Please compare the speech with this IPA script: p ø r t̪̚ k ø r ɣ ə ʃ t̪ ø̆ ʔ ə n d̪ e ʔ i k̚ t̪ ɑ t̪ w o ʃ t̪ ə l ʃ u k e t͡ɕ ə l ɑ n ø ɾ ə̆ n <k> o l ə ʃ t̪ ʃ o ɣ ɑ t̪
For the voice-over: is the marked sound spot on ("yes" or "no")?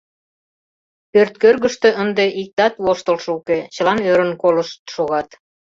yes